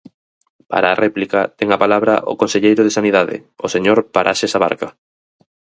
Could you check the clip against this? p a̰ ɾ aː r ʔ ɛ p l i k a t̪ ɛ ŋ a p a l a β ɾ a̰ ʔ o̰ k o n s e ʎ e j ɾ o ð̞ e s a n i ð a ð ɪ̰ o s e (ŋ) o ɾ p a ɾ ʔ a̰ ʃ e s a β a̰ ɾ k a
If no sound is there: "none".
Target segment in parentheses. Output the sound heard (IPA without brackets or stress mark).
ɲ